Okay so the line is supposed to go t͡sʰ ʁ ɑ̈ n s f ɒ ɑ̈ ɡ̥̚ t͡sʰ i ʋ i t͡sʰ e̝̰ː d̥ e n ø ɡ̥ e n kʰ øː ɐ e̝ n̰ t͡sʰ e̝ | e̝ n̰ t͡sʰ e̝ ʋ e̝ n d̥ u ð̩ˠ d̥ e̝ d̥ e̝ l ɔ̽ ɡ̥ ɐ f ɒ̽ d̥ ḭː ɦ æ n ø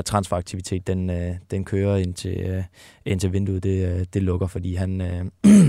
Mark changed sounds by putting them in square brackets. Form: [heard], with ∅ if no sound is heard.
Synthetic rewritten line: t͡sʰ ʁ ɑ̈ n s f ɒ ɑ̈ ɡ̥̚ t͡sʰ i ʋ i t͡sʰ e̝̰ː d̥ e n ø [d̥] e n kʰ øː ɐ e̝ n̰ t͡sʰ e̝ | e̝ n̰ t͡sʰ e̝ ʋ e̝ n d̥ u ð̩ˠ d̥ e̝ d̥ e̝ l ɔ̽ ɡ̥ ɐ f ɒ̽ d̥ ḭː ɦ æ n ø